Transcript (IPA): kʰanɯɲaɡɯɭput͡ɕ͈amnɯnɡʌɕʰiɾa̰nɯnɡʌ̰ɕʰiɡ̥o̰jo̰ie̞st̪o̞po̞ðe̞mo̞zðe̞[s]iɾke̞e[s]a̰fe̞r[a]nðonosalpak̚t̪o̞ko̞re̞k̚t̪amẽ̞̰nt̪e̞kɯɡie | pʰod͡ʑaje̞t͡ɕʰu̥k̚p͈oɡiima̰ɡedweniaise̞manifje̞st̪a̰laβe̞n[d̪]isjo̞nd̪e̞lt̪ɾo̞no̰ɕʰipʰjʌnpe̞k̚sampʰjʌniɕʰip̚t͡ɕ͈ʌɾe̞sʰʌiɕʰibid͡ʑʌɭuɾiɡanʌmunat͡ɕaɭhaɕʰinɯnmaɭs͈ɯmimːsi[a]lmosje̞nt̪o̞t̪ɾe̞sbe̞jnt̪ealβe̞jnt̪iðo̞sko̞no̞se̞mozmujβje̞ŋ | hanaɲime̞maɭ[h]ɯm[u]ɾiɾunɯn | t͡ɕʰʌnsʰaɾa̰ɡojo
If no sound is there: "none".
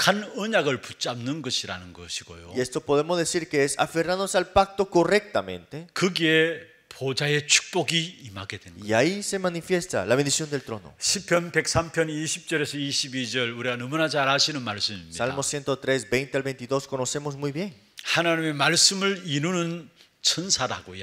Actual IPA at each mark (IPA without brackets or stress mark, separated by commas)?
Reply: s, s, a, d̪, a, s, ɯ